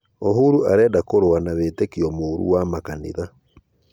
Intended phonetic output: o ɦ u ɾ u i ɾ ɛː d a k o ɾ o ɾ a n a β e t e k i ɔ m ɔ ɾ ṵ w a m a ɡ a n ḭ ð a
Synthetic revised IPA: o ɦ u ɾ u a ɾ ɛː d a k o ɾ o a n a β e t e k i ɔ m o ɾ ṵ w a m a k a n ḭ ð a